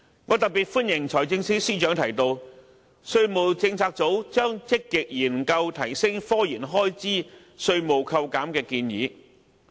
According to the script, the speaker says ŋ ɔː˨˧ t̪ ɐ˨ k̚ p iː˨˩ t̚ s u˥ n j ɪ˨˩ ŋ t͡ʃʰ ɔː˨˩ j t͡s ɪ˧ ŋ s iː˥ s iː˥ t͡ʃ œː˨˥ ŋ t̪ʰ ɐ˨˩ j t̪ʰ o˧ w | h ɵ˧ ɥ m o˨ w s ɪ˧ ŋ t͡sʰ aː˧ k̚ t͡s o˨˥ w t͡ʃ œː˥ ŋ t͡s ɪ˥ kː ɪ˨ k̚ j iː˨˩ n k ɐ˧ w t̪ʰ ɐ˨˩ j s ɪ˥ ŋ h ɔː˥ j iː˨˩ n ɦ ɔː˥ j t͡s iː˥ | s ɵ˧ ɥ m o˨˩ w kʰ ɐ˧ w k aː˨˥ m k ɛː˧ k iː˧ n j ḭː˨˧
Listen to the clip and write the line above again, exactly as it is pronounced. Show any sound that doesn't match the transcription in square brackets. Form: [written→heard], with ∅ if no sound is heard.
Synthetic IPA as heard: ŋ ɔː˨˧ t̪ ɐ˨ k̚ p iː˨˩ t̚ [s→f] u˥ n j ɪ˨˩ ŋ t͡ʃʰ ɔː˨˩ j t͡s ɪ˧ ŋ s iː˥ s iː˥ t͡ʃ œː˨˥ ŋ t̪ʰ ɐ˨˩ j [t̪ʰ→t̪] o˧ w | [h→s] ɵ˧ ɥ m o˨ w [s→t͡s] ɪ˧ ŋ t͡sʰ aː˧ k̚ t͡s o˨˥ w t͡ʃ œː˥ ŋ t͡s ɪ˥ kː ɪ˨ k̚ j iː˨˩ n k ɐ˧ w t̪ʰ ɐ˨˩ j s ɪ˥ ŋ [h→f] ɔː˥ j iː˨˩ n ɦ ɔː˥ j t͡s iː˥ | s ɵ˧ ɥ m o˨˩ w kʰ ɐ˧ w k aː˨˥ m k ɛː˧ k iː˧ n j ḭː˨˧